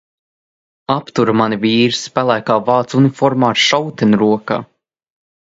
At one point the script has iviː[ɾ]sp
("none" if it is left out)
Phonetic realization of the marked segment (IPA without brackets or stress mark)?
ɾ